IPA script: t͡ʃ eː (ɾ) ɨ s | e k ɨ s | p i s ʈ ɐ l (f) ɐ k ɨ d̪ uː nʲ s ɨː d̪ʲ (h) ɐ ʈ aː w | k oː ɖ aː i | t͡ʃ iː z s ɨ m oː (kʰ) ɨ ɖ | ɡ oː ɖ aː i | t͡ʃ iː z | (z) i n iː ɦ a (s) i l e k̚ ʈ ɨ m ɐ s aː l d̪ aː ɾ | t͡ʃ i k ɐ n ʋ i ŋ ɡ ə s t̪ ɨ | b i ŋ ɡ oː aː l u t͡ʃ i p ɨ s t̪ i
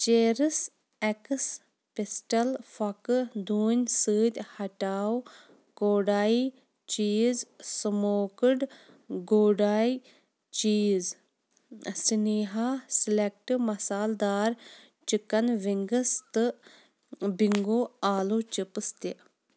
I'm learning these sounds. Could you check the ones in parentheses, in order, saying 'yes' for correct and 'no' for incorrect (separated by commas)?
yes, yes, yes, no, no, yes